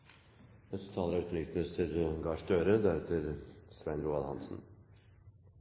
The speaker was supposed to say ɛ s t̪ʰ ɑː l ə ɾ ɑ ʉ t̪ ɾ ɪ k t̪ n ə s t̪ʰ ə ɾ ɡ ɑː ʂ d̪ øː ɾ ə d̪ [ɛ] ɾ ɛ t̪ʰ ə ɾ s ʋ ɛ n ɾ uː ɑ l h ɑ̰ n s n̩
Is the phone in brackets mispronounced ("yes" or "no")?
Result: yes